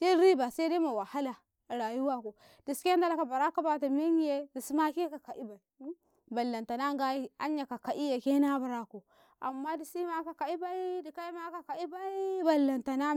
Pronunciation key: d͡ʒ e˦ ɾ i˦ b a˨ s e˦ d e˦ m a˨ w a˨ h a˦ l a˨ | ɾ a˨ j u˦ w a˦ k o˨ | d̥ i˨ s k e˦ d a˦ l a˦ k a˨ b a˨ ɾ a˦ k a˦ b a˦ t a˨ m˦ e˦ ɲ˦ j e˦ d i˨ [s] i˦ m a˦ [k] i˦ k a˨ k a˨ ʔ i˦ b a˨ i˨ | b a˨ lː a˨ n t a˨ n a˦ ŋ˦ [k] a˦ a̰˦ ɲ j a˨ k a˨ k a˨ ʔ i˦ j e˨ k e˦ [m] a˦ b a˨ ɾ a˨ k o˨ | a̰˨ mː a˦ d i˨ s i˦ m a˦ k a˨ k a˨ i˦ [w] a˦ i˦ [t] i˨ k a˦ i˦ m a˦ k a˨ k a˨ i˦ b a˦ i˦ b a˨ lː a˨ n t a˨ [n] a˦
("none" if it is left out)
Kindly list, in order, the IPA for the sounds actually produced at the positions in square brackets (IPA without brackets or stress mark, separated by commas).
s, k, ɡ, n, b, d, n